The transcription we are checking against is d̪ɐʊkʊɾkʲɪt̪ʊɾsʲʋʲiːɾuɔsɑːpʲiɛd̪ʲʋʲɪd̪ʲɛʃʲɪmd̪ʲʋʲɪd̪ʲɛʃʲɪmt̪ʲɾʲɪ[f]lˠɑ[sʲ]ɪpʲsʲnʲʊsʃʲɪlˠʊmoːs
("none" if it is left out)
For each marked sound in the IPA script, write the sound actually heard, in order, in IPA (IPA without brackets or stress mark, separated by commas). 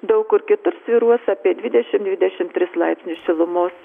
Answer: s, none